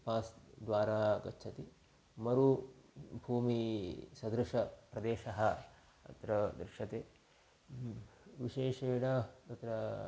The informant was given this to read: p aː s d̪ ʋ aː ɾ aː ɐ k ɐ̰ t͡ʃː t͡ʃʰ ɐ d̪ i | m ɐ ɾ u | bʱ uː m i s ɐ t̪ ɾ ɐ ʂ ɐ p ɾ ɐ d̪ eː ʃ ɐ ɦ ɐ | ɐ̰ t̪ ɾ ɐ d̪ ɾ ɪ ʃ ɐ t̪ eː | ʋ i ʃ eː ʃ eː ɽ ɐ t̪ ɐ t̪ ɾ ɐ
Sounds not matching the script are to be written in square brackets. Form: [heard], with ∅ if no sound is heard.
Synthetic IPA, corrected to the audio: p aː s d̪ ʋ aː ɾ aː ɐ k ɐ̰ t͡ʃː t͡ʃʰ ɐ [t̪] i | m ɐ ɾ u | bʱ uː m i s ɐ [d̪] ɾ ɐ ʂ ɐ p ɾ ɐ d̪ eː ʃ ɐ ɦ ɐ | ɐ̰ t̪ ɾ ɐ d̪ ɾ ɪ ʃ ɐ t̪ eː | ʋ i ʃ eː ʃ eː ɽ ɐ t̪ ɐ t̪ ɾ ɐ